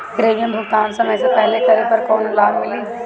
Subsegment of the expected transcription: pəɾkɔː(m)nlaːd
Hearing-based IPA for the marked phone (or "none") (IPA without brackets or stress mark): none